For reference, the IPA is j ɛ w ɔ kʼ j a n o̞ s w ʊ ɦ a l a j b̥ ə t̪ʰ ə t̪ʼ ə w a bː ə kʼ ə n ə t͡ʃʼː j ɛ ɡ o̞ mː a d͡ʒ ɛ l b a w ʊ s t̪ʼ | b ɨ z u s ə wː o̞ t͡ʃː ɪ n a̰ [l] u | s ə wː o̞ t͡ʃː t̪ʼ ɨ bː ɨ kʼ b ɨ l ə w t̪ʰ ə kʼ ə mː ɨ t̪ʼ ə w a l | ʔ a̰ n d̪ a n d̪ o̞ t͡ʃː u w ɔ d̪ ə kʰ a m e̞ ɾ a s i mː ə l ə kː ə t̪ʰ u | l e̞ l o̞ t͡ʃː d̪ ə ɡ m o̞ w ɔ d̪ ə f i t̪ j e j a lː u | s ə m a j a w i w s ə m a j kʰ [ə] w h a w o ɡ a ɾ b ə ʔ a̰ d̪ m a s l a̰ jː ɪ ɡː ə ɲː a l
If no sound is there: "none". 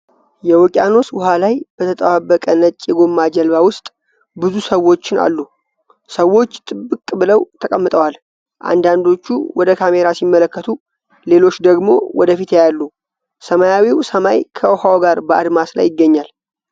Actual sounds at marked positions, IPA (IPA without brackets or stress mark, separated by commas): lː, ə